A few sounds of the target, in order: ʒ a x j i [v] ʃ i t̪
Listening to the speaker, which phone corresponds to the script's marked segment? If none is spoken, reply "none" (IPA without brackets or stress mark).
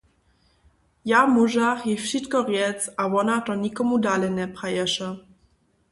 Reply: f